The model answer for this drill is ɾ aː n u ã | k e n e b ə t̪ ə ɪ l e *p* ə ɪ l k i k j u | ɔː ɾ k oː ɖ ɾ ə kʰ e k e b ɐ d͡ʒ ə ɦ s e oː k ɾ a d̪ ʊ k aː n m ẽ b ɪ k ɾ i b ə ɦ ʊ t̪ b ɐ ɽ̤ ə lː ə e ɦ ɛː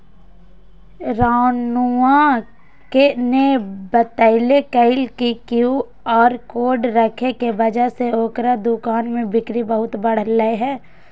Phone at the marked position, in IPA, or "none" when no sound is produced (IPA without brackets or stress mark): k